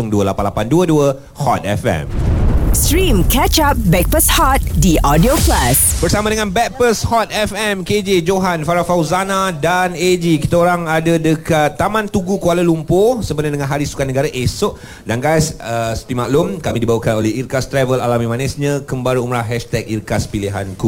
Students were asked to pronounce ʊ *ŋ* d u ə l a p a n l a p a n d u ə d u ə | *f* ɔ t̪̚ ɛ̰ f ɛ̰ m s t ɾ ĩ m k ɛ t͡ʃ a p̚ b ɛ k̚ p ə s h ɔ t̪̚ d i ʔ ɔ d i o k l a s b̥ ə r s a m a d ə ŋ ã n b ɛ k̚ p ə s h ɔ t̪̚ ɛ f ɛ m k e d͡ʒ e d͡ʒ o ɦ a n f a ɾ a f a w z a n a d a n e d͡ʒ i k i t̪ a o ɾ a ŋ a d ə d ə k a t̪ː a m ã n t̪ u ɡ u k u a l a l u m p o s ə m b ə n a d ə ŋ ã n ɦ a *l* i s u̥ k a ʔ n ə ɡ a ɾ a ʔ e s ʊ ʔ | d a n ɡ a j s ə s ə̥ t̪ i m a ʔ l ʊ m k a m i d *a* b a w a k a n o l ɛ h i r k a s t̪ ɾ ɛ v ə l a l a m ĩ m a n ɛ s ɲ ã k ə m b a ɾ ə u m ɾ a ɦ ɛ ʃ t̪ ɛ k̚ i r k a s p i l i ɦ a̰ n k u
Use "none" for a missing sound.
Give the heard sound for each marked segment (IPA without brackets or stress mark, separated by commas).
ŋ, h, ɾ, i